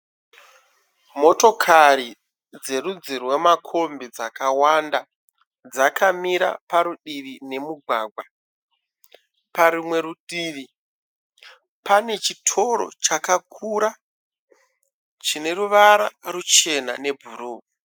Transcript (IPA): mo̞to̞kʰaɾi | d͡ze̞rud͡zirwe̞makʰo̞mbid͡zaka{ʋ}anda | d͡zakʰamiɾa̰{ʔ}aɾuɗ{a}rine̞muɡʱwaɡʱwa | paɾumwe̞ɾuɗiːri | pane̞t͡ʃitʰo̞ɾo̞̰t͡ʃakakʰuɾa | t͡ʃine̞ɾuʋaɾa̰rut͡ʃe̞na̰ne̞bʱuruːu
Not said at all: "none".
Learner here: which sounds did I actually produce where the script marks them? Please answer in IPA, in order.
w, p, i

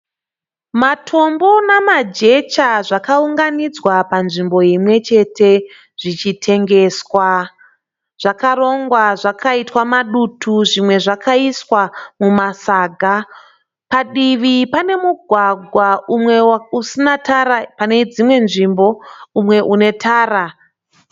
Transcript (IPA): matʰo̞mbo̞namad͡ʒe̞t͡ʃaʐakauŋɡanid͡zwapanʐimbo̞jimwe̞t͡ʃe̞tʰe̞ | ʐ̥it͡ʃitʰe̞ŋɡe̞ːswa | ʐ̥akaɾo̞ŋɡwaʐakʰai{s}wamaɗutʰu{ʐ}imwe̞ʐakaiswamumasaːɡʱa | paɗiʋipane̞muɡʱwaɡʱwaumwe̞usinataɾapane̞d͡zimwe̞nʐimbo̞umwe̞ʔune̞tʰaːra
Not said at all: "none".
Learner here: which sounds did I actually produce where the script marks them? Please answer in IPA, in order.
t, ʐ

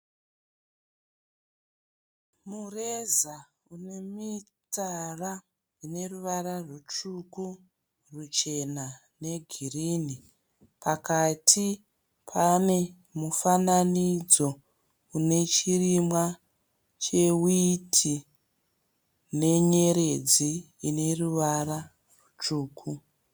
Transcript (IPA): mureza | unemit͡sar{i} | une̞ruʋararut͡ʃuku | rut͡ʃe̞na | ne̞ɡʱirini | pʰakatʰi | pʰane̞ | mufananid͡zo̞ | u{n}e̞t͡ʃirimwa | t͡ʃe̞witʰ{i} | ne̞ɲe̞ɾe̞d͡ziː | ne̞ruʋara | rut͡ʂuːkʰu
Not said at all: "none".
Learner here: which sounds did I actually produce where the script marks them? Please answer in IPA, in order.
a, n, i

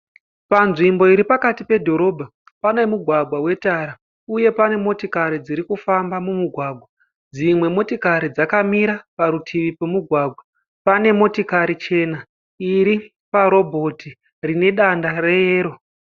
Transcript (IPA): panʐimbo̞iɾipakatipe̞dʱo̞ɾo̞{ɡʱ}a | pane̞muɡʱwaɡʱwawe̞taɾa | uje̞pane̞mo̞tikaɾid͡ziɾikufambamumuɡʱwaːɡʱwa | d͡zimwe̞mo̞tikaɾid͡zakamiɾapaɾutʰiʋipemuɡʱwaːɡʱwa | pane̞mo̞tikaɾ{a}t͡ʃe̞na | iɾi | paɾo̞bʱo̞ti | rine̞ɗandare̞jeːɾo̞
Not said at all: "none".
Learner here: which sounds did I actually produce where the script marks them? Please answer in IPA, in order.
bʱ, i

